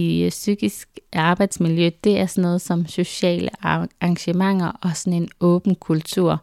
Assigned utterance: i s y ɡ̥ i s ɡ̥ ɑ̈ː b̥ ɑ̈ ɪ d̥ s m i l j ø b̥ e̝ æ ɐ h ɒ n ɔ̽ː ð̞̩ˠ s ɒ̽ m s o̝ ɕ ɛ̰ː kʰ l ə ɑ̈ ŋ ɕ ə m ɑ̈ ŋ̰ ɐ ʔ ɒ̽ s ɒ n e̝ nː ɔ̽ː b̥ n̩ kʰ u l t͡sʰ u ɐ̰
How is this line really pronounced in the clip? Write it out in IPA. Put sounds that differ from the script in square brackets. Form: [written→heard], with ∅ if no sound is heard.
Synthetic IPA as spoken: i s y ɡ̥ i s ɡ̥ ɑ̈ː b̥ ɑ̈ ɪ d̥ s m i l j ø [b̥→d̥] e̝ æ ɐ [h→s] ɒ n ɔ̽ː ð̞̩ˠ s ɒ̽ m s o̝ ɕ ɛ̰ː [kʰ→∅] l ə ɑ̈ ŋ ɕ ə m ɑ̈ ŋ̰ ɐ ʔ ɒ̽ s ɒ n e̝ [nː→n] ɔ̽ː b̥ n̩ kʰ u l t͡sʰ u ɐ̰